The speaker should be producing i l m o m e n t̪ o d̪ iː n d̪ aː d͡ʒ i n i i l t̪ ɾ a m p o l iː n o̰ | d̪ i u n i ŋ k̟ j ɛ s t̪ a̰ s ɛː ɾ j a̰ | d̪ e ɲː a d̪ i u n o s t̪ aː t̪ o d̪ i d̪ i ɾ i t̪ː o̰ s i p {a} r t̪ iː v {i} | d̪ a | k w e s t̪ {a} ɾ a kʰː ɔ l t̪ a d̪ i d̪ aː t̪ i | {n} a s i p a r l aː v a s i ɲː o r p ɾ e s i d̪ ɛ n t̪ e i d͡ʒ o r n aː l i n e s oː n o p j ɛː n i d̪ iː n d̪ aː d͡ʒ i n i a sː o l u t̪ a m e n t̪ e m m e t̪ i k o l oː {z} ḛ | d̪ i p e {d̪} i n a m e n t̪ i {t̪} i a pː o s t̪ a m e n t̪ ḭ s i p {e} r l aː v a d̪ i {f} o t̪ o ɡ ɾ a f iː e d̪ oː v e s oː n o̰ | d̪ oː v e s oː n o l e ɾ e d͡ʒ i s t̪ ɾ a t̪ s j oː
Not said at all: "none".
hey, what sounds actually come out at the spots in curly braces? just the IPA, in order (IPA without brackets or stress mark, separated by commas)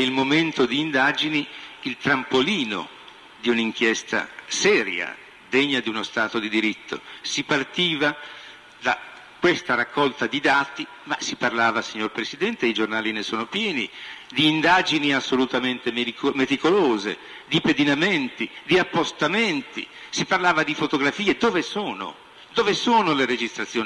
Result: a, a, a, m, z, d̪, d̪, a, f